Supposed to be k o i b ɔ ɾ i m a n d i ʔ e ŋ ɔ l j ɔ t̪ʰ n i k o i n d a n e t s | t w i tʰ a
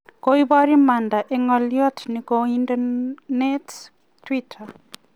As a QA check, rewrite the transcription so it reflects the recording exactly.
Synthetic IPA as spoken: k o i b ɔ ɾ i m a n d a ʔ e ŋ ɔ l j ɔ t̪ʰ n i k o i n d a n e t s | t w i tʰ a